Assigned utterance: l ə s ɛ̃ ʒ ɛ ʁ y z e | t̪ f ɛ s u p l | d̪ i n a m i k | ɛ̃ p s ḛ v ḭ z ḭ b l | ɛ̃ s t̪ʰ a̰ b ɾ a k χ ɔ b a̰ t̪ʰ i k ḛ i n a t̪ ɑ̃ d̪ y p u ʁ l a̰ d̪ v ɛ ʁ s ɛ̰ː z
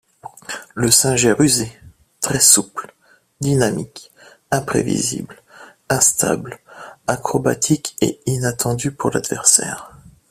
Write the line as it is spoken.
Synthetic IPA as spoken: l ə s ɛ̃ ʒ ɛ ʁ y z e | t̪ χ ɛ s u p l | d̪ i n a m i k | ɛ̃ p χ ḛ v ḭ z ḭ b l | ɛ̃ s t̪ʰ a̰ b l a k χ ɔ b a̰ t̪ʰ i k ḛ i n a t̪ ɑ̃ d̪ y p u ʁ l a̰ d̪ v ɛ ʁ s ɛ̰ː ʁ